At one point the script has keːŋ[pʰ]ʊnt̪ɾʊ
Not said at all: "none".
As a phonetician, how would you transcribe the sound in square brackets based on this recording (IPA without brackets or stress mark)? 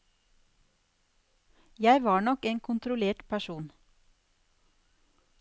kʰ